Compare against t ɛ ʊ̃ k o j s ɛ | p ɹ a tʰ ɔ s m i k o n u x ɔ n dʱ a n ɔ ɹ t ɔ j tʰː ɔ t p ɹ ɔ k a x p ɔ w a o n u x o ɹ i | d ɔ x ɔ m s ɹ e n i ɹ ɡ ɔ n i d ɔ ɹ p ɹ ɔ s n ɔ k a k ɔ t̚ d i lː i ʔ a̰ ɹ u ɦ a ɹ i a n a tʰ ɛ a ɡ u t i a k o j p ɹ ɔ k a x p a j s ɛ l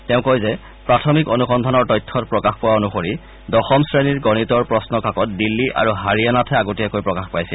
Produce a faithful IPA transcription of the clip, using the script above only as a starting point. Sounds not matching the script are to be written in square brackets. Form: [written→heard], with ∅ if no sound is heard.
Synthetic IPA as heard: t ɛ ʊ̃ k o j [s→z] ɛ | p ɹ a tʰ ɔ [s→∅] m i k o n u x ɔ n dʱ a n ɔ ɹ t ɔ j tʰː ɔ t p ɹ ɔ k a x p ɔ w a o n u x o ɹ i | d ɔ x ɔ m s ɹ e n i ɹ ɡ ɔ n i [d→t] ɔ ɹ p ɹ ɔ s n ɔ k a k ɔ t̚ d i lː i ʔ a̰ ɹ u ɦ a ɹ i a n a tʰ ɛ a ɡ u t i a k o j p ɹ ɔ k a x p a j s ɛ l